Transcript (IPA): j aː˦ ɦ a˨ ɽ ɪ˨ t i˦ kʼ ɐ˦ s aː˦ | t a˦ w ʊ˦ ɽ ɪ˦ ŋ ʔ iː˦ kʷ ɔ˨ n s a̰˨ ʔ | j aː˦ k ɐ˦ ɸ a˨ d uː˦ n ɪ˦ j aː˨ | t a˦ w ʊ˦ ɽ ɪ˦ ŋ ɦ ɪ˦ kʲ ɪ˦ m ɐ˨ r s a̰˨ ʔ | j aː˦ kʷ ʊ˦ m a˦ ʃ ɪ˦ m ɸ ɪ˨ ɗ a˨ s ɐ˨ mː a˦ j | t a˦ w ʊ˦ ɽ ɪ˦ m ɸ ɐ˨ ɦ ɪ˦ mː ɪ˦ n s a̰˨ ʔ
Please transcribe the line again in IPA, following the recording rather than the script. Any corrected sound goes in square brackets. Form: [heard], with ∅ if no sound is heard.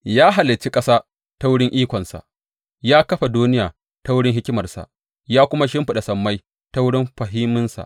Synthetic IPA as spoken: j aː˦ ɦ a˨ [l] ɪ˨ [t͡ʃ] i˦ kʼ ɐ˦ s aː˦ | t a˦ w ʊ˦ ɽ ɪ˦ ŋ ʔ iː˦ kʷ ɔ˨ n s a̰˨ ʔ | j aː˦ k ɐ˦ ɸ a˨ d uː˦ n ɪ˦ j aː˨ | t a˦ w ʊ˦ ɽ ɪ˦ ŋ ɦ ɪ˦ kʲ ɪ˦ m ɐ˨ r s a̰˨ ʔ | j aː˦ kʷ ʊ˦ m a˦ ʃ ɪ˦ m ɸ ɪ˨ ɗ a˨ s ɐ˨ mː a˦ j | t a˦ w ʊ˦ ɽ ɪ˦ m ɸ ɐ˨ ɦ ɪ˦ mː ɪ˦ n s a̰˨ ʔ